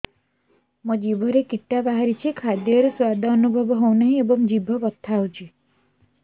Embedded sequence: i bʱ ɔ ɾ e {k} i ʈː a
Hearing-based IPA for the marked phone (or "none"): k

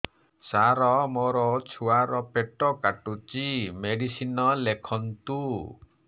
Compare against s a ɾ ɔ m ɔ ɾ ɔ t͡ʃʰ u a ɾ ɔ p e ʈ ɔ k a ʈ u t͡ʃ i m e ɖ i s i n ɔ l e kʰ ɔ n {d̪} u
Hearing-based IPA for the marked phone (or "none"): t̪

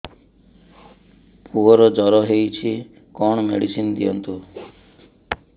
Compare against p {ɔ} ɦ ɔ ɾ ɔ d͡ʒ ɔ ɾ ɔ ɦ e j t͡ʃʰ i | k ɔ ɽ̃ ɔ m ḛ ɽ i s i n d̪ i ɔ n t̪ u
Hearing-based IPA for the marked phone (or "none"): u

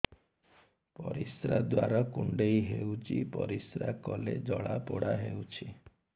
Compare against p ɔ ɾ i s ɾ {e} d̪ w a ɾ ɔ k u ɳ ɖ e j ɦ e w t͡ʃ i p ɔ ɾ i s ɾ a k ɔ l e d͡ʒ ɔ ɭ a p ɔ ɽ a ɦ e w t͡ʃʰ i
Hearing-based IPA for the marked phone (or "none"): a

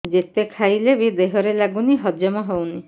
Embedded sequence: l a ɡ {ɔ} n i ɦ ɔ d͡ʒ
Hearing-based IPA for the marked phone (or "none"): u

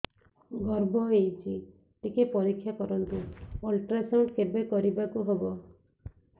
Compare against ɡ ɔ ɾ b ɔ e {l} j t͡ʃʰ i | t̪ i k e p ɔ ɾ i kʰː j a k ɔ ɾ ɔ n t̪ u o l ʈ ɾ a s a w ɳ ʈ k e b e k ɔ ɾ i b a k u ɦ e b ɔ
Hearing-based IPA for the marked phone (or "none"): none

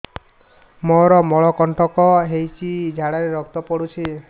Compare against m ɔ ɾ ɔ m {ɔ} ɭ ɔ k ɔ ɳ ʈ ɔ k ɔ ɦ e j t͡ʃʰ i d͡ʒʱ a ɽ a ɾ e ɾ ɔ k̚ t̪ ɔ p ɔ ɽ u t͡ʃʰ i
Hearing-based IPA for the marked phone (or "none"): ɔ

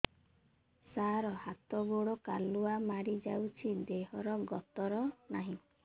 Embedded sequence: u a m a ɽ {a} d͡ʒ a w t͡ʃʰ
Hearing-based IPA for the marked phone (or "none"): i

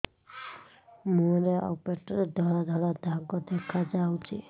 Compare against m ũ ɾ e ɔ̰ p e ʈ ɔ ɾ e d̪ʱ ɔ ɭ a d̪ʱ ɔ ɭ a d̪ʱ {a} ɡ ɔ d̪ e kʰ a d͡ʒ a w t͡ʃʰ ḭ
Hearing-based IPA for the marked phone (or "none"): a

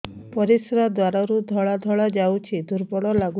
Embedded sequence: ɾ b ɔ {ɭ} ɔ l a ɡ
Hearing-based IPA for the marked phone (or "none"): ɽ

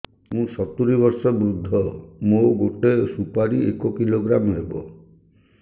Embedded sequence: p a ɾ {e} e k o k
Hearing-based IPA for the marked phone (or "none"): i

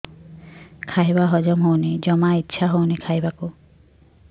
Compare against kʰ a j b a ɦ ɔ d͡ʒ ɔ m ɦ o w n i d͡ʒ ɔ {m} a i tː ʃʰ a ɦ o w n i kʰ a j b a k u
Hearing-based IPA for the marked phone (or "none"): m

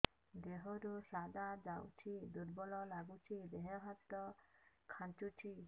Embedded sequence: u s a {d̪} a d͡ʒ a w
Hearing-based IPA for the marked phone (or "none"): d̪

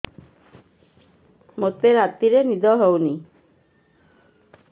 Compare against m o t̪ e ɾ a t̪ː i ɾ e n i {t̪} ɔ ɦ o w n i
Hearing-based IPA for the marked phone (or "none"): d̪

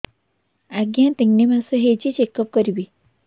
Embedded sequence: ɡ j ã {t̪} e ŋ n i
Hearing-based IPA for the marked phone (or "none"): t̪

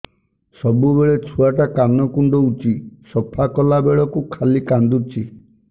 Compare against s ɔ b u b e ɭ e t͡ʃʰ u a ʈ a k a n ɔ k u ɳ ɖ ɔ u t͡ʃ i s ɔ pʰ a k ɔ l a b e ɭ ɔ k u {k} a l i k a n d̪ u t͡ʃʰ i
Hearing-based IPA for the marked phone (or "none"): kʰ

